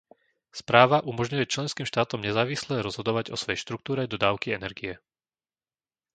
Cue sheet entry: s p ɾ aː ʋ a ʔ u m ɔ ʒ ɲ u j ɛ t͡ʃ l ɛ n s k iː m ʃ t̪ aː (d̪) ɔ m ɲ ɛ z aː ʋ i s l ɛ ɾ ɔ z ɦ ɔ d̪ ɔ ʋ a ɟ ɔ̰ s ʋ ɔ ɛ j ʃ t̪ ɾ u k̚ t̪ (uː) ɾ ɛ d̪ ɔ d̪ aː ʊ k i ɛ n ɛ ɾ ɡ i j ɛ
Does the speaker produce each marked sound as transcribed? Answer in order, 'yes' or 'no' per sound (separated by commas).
no, yes